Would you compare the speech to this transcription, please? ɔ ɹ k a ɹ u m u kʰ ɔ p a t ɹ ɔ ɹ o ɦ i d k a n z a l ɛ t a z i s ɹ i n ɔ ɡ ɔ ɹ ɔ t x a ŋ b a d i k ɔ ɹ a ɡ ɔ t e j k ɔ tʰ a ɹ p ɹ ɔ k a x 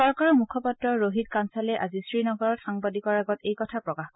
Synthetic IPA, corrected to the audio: ɔ ɹ k a ɹ ɔ m u kʰ ɔ p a t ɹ ɔ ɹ o ɦ i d k a n s a l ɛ ʔ a z i s ɹ i n ɔ ɡ ɔ ɹ ɔ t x a ŋ b a d i k ɔ ɹ a ɡ ɔ t e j k ɔ tʰ a p ɹ ɔ k a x

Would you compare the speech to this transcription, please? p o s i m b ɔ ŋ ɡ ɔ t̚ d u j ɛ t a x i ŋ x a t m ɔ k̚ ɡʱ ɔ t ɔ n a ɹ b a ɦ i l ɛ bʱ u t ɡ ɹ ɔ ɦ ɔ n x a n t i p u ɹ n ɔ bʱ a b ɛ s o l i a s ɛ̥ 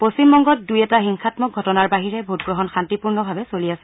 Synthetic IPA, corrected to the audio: p o s i m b ɔ ŋ ɡ ɔ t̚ d u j ɛ t a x i ŋ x a t m ɔ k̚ ɡʱ ɔ t ɔ n a ɹ b a ɦ i ɹ ɛ bʱ u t ɡ ɹ ɔ ɦ ɔ n x a n t i p u ɹ n ɔ bʱ a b ɛ s o l i a s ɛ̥

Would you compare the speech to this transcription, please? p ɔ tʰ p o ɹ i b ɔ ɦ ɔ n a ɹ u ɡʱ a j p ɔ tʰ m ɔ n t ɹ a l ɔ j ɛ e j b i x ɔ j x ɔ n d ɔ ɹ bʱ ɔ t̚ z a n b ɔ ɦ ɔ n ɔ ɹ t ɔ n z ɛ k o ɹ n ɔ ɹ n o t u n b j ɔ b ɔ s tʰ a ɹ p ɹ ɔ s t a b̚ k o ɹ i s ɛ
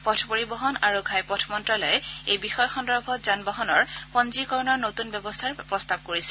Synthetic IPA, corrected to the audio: p ɔ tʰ p o ɹ i b ɔ ɦ ɔ n a ɹ u ɡʱ a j p ɔ tʰ m ɔ n t ɹ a l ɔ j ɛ e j b i x ɔ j x ɔ n d ɔ ɹ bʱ ɔ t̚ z a n b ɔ ɦ ɔ n ɔ ɹ p ɔ n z i k ɔ ɹ n ɔ ɹ n o t u n b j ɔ b ɔ s tʰ a ɹ p ɹ ɔ s t a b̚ k o ɹ i s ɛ

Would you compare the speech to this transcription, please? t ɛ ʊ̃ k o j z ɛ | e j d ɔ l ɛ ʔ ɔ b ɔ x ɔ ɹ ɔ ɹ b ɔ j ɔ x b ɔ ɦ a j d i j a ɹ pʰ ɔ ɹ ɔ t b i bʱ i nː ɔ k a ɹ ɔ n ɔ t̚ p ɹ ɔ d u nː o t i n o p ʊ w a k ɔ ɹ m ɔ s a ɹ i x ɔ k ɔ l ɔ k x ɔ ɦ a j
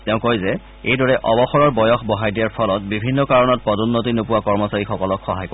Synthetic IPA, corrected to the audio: t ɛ ʊ̃ k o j z ɛ | e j d ɔ ɹ ɛ ʔ ɔ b ɔ x ɔ ɹ ɔ ɹ b ɔ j ɔ x b ɔ ɦ a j d i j a ɹ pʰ ɔ l ɔ t b i bʱ i nː ɔ k a ɹ ɔ n ɔ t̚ p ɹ ɔ d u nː o t i n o p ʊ w a k ɔ ɹ m ɔ s a ɹ i x ɔ k ɔ l ɔ k x ɔ ɦ a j

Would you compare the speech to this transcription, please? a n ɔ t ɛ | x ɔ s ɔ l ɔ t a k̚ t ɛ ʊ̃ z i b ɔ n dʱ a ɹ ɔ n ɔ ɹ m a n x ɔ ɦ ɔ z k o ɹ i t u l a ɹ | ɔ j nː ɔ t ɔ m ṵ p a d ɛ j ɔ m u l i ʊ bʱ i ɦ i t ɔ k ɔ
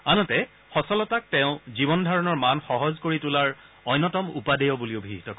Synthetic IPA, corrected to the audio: a n ɔ t ɛ | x ɔ s ɔ l ɔ t a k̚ t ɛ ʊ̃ z i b ɔ n dʱ a ɹ ɔ n ɔ ɹ m a n x ɔ ɦ ɔ z k o ɹ i t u l a ɹ | ɔ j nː ɔ t ɔ m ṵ p a d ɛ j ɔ b u l i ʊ bʱ i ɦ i t ɔ k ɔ

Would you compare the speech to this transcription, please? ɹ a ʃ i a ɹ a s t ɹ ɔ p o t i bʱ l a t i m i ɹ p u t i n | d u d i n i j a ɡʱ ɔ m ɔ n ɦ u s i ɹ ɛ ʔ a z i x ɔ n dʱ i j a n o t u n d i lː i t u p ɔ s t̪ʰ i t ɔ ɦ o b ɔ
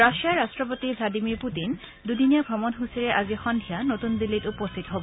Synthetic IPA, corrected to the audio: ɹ a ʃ i a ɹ a s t ɹ ɔ p o t i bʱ l a d i m i ɹ p u t i n | d u d i n i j a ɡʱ ɔ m ɔ n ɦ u s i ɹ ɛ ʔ a z i x ɔ n dʱ i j a n o t u n d i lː i t u p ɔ s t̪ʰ i t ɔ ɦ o b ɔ

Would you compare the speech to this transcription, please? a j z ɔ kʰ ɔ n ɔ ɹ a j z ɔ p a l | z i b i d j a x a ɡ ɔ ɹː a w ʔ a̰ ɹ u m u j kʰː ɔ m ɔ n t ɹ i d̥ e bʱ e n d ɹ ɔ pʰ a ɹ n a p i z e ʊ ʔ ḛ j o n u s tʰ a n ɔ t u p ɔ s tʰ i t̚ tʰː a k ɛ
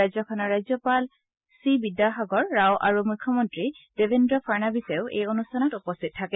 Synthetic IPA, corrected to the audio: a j z ɔ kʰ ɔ n ɔ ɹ a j z ɔ p a l | s i b i d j a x a ɡ ɔ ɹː a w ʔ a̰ ɹ u m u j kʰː ɔ m ɔ n t ɹ i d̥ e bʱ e n d ɹ ɔ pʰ a ɹ n a b i s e ʊ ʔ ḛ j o n u s tʰ a n ɔ t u p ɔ s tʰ i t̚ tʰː a k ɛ

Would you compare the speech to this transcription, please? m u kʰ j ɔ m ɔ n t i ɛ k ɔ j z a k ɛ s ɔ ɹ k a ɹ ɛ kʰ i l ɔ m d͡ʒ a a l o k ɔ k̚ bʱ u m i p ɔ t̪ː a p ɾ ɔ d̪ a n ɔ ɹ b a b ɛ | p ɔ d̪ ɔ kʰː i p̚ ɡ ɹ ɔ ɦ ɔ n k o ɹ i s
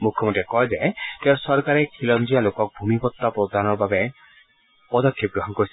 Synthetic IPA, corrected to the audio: m u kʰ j ɔ m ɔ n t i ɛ k ɔ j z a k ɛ s ɔ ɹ k a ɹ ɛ kʰ i l ɔ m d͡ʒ i a l o k ɔ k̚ bʱ u m i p ɔ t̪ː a p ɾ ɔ d̪ a n ɔ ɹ b a b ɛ | p ɔ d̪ ɔ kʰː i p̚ ɡ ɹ ɔ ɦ ɔ n k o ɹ i s

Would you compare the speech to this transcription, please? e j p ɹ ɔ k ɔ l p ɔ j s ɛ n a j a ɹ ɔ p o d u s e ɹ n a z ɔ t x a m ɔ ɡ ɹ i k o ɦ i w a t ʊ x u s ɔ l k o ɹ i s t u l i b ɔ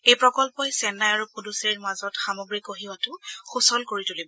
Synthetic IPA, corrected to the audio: e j p ɹ ɔ k ɔ l p ɔ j s ɛ n a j a ɹ u p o d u s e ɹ m a z ɔ t x a m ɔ ɡ ɹ i k o ɦ i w a t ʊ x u s ɔ l k o ɹ i t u l i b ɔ

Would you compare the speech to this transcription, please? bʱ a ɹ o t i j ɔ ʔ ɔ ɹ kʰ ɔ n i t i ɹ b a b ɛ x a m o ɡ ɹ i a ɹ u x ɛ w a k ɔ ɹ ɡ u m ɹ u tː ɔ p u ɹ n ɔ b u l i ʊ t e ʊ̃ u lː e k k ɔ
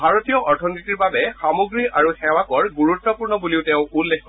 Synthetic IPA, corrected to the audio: bʱ a ɹ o t i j ɔ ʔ ɔ ɹ tʰ ɔ n i t i ɹ b a b ɛ x a m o ɡ ɹ i a ɹ u x ɛ w a k ɔ ɹ ɡ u ɹ u tː ɔ p u ɹ n ɔ b u l i ʊ t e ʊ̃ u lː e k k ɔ

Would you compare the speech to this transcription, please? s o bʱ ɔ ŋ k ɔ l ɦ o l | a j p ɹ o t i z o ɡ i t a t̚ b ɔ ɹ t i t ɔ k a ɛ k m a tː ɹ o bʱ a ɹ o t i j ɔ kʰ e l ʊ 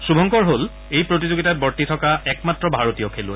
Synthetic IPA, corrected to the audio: s u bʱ ɔ ŋ k ɔ ɹ ɦ o l | e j p ɹ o t i z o ɡ i t a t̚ b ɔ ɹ t i tʰ ɔ k a ɛ k m a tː ɹ ɔ bʱ a ɹ o t i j ɔ kʰ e l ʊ

